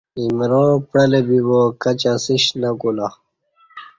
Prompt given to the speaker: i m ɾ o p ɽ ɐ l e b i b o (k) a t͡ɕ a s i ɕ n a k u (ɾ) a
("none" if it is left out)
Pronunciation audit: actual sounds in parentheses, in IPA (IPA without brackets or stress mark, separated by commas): k, l